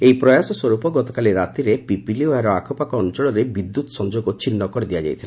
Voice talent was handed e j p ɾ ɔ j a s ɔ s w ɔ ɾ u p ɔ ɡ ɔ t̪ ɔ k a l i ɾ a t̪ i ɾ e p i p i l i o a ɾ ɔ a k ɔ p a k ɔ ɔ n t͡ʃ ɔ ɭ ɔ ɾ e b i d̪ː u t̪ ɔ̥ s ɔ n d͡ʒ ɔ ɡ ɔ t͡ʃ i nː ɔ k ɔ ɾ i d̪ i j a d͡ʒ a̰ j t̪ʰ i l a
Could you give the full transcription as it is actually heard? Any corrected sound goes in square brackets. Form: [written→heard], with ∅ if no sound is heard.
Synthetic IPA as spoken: e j p ɾ ɔ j a s ɔ s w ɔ ɾ u p ɔ ɡ ɔ t̪ ɔ k a l i ɾ a t̪ i ɾ e p i p i l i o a ɾ ɔ a [k→kʰ] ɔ p a k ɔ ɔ n t͡ʃ ɔ ɭ ɔ ɾ e b i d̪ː u t̪ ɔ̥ s ɔ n d͡ʒ [ɔ→o] ɡ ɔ t͡ʃ i nː ɔ k ɔ ɾ i d̪ i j a d͡ʒ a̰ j t̪ʰ i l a